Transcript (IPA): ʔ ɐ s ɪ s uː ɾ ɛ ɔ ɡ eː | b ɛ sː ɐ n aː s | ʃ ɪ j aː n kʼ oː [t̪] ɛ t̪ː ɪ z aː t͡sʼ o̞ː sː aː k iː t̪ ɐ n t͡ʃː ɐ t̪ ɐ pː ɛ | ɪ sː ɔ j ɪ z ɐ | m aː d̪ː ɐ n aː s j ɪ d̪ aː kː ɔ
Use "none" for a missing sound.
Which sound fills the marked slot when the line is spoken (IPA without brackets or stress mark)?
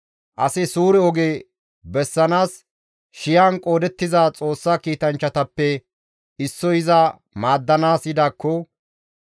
d̪